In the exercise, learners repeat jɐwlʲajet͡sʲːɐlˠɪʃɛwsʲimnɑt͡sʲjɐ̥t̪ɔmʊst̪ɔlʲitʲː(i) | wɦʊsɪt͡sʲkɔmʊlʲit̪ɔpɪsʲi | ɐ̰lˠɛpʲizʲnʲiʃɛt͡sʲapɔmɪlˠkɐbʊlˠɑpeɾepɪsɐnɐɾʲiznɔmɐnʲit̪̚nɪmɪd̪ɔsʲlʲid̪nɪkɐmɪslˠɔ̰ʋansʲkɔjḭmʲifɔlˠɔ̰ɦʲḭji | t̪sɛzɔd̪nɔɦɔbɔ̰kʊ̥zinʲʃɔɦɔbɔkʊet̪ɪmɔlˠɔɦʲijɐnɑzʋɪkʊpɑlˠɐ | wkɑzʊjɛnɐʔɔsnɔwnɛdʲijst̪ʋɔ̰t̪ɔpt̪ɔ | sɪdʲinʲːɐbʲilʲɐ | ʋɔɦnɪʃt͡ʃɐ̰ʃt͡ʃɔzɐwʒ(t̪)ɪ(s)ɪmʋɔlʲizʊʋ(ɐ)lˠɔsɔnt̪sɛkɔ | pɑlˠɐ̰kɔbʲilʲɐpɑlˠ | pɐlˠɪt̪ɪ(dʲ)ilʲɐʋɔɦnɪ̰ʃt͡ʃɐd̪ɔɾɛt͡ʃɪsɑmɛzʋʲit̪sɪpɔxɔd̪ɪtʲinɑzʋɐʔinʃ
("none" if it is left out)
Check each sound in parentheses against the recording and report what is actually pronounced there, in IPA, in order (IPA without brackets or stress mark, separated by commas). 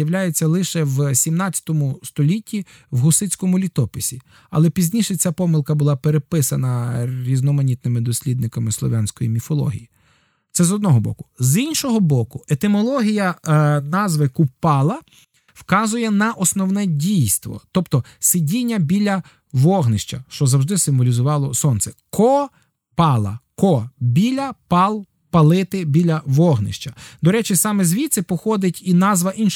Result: i, d̪, s, ɑ, bʲ